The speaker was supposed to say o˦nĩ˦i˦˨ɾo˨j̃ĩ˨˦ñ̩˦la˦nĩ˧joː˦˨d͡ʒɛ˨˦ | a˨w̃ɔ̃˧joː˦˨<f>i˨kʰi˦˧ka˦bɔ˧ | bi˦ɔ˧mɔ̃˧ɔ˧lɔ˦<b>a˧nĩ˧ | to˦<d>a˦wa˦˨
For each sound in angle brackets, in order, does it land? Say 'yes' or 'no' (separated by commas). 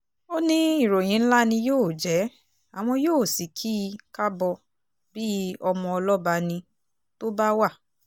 no, yes, no